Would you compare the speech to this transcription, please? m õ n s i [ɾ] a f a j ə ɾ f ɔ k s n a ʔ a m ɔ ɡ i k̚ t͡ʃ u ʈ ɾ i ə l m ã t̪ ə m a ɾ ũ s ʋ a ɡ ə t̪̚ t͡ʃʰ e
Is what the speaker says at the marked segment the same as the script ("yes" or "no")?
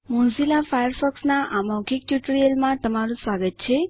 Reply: no